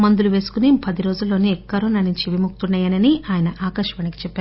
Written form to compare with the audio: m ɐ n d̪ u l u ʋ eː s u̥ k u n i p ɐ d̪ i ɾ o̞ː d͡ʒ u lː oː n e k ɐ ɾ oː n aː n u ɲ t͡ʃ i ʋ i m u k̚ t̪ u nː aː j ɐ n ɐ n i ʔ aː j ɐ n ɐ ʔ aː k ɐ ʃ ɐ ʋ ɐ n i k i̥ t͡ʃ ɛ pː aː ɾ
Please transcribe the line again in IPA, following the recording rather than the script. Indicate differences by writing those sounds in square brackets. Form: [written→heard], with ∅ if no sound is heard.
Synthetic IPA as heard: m ɐ n d̪ u l u ʋ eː s u̥ k u n i p ɐ d̪ i ɾ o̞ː d͡ʒ u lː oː n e k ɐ ɾ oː n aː n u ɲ t͡ʃ i ʋ i m u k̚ t̪ u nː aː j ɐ n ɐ n i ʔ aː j ɐ n ɐ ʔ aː k ɐ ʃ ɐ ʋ ɐ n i k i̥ t͡ʃ ɛ pː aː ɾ